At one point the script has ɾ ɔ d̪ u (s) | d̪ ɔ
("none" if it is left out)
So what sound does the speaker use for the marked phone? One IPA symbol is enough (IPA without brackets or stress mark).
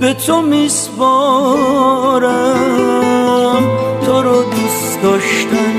s